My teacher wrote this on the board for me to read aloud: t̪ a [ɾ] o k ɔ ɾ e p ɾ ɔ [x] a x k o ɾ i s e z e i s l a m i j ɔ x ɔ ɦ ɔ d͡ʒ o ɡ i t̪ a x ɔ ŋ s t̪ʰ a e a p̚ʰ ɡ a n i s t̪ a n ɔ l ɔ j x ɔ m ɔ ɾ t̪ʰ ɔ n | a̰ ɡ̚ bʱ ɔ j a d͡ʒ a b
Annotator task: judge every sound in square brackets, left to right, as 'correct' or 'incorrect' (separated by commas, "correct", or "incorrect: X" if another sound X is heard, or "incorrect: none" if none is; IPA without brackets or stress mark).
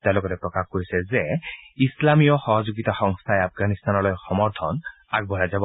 incorrect: l, incorrect: k